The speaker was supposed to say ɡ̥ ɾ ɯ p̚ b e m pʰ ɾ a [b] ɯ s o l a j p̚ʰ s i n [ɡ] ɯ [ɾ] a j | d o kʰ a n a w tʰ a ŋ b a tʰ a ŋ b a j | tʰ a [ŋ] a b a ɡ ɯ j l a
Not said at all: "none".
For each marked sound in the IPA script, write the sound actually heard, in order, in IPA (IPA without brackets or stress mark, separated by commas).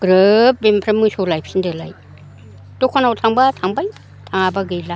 m, d, l, ŋ